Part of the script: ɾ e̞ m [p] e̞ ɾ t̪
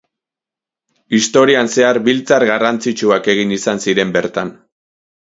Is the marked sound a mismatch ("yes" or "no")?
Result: yes